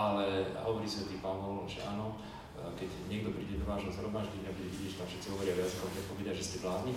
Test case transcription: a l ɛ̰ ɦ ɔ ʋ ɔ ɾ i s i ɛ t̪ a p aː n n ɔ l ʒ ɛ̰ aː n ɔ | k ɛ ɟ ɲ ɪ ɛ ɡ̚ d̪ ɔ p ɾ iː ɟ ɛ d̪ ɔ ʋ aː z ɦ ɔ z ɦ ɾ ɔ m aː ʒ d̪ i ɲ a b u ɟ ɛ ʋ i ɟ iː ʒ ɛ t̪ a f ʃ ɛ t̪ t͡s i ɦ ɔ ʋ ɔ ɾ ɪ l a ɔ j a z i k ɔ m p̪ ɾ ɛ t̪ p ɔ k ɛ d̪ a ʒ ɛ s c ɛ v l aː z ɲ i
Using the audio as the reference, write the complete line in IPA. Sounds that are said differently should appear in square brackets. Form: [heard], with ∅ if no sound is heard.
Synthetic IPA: a l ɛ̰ ɦ ɔ ʋ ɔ ɾ i s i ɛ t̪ [i] p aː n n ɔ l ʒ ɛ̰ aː n ɔ | k ɛ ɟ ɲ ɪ ɛ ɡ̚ d̪ ɔ p ɾ iː ɟ ɛ d̪ ɔ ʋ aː [ʒ] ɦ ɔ z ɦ ɾ ɔ m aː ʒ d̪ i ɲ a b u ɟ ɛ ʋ i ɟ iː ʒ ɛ t̪ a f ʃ ɛ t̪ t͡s i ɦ ɔ ʋ ɔ ɾ ɪ [∅] a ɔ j a z i k ɔ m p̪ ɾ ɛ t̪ p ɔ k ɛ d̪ a ʒ ɛ s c ɛ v l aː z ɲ i